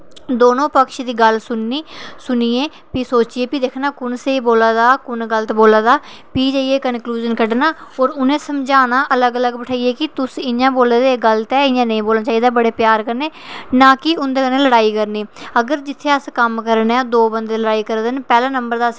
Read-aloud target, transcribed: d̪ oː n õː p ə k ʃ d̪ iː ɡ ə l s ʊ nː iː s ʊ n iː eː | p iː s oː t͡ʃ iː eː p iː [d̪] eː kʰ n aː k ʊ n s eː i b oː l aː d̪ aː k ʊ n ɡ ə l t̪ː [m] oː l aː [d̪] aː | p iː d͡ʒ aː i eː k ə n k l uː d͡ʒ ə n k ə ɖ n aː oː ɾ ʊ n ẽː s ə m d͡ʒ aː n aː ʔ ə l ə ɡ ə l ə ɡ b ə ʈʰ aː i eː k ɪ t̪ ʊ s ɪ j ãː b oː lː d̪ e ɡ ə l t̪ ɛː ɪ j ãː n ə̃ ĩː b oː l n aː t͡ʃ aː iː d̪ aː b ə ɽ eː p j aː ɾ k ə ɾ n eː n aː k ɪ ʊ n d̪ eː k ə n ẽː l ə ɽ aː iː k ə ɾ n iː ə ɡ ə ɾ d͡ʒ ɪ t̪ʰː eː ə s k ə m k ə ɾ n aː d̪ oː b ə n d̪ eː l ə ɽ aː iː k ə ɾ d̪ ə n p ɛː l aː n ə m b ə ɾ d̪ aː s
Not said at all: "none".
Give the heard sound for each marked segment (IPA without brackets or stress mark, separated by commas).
d̪, b, d̪